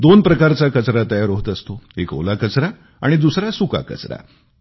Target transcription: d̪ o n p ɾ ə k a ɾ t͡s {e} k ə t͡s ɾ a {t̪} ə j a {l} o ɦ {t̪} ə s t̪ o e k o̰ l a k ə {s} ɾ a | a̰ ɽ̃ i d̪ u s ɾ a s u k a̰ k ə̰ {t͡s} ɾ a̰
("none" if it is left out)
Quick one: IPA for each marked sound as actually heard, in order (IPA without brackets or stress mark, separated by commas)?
a, t̪, ɾ, t̪, t͡s, t͡s